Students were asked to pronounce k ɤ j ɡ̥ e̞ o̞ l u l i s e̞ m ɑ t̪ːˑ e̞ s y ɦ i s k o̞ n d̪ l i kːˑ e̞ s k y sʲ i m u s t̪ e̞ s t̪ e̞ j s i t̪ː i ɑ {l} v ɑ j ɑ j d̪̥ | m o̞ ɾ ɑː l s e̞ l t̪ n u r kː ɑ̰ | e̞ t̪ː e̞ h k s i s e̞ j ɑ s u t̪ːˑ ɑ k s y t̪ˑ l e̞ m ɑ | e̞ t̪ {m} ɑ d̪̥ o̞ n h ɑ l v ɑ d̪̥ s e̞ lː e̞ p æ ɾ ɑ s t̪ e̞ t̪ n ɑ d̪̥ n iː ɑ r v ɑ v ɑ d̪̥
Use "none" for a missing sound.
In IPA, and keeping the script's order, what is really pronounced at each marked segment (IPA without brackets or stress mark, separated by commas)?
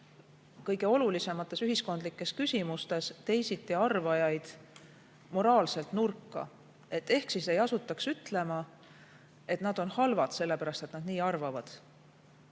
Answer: r, n